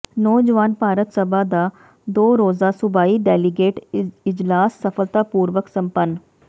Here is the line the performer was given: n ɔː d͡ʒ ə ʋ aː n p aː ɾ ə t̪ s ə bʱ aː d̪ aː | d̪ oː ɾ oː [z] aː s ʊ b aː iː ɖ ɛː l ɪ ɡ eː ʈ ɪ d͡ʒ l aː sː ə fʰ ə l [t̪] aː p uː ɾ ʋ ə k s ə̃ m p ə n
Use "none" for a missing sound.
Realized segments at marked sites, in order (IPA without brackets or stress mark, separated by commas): z, t̪